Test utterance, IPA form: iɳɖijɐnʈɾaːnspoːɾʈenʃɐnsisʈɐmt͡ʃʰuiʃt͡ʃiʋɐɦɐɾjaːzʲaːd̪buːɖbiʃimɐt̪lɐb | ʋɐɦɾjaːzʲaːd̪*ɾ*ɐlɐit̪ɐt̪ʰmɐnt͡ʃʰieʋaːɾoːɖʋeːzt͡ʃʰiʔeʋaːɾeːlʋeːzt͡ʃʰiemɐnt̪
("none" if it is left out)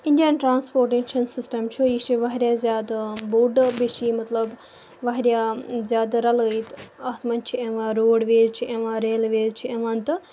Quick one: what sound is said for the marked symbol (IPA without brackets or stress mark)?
ɾ